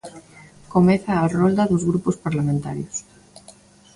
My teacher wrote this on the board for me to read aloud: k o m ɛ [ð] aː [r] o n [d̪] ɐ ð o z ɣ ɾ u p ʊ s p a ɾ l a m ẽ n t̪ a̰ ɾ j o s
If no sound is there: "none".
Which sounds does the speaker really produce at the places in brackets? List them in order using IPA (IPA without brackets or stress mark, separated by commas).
θ, r, d̪